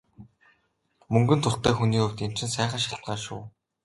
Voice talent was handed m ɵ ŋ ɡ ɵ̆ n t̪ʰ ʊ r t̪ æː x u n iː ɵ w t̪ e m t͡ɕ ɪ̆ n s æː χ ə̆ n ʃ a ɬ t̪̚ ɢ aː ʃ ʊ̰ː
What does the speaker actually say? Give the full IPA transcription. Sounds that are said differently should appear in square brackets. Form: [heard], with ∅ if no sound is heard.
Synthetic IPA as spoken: m ɵ ŋ ɡ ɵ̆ n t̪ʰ ʊ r t̪ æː x u n iː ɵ w t̪ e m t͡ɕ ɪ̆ n s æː χ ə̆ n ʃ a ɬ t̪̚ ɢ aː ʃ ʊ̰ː